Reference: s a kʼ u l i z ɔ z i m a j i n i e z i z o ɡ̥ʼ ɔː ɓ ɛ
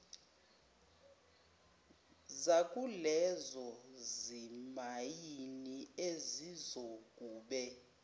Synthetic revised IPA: z a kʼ u l ɛ z ɔ z i m a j i n i e z i z o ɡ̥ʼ uː ɓ ɛ